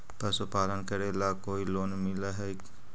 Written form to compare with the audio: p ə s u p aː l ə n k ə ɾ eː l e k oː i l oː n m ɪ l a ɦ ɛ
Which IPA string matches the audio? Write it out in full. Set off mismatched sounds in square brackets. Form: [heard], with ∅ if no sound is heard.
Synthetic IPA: p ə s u p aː l ə n k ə ɾ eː l [a] k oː i l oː n m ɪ l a ɦ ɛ

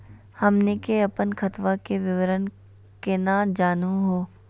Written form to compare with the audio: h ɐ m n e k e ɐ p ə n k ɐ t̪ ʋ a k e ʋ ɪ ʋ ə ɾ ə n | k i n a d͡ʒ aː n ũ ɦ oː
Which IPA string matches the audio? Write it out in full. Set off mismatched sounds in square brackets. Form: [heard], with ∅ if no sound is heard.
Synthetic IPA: h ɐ m n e k e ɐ p ə n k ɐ t̪ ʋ a k e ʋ ɪ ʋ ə ɾ ə n | k [e] n a d͡ʒ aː n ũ ɦ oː

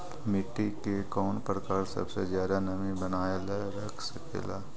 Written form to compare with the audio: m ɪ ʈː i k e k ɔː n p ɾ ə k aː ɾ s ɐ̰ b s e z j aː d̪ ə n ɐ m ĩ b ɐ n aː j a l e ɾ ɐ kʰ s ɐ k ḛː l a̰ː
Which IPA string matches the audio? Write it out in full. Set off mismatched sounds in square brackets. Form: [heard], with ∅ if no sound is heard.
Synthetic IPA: m ɪ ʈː i k e k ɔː n p ɾ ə k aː ɾ s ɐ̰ b s e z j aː d̪ [a] n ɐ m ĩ b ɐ n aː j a l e ɾ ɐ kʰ s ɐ k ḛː l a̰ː

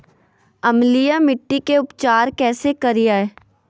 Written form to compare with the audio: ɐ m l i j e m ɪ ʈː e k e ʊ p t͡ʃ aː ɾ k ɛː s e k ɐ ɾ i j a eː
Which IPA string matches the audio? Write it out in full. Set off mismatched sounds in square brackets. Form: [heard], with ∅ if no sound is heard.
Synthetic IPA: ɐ m l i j [a] m ɪ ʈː [i] k e ʊ p t͡ʃ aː ɾ k ɛː s e k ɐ ɾ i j a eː

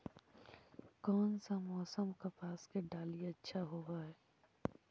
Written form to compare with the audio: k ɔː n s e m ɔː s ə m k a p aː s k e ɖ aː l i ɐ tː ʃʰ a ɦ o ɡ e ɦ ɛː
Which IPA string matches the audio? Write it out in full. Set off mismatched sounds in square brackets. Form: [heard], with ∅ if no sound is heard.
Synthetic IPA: k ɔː n s [a] m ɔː s ə m k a p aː s k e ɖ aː l i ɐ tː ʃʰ a ɦ o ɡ [a] ɦ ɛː

